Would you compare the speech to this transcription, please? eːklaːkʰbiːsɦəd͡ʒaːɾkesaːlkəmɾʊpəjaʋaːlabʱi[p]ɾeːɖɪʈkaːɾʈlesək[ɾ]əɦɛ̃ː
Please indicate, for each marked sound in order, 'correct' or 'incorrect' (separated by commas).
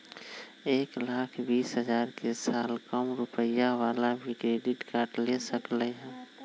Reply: incorrect, incorrect